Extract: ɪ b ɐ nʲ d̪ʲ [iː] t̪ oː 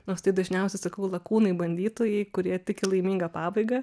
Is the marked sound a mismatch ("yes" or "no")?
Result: no